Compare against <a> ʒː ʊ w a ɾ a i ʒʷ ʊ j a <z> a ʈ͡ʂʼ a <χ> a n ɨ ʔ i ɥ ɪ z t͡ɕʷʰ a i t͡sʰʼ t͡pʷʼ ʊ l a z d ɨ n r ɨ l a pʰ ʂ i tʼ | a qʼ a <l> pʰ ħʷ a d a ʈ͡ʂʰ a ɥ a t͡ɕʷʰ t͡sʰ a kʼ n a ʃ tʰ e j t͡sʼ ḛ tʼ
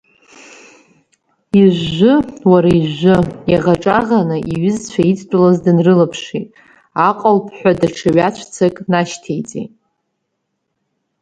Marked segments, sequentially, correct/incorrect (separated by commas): incorrect, incorrect, incorrect, correct